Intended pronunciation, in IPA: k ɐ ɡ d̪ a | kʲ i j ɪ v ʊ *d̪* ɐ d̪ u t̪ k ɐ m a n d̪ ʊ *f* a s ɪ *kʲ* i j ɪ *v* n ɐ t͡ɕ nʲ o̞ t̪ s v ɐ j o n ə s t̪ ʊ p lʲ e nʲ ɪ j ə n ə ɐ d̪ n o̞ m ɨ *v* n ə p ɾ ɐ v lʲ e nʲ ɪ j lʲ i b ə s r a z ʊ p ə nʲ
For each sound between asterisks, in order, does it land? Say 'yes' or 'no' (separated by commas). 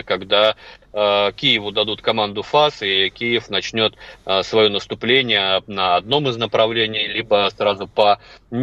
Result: yes, yes, yes, no, no